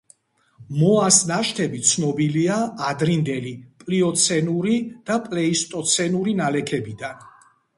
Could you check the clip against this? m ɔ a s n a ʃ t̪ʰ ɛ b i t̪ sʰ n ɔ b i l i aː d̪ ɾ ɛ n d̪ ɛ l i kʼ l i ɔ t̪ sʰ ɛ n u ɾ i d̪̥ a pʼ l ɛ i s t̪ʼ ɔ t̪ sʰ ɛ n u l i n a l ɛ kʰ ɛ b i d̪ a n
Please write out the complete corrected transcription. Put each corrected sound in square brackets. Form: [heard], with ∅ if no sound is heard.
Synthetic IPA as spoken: m ɔ a s n a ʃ t̪ʰ ɛ b i t̪ sʰ n ɔ b i l i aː d̪ ɾ [i] n d̪ ɛ l i [pʼ] l i ɔ t̪ sʰ ɛ n u ɾ i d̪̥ a pʼ l ɛ i s t̪ʼ ɔ t̪ sʰ ɛ n u [ɾ] i n a l ɛ kʰ ɛ b i d̪ a n